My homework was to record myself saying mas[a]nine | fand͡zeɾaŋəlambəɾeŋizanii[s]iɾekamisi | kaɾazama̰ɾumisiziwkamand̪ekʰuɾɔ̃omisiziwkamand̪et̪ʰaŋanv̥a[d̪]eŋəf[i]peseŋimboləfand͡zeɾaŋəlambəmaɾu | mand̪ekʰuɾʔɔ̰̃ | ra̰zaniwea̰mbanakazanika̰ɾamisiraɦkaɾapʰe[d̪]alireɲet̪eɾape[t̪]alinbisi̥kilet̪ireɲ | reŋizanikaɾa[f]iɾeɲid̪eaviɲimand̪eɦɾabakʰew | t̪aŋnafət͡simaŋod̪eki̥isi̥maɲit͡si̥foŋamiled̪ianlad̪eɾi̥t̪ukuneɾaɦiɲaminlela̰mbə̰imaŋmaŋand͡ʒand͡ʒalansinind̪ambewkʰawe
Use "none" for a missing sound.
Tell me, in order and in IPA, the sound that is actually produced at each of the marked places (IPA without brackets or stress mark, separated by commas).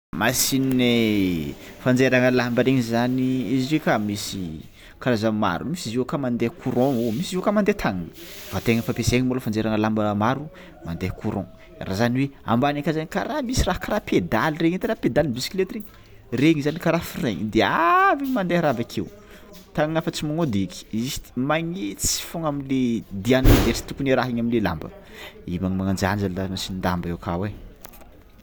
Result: i, z, t̪, a, d̪, d̪, f